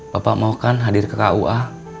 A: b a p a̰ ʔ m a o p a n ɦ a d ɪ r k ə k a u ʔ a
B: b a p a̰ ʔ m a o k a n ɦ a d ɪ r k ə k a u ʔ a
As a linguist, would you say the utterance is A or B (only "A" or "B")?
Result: B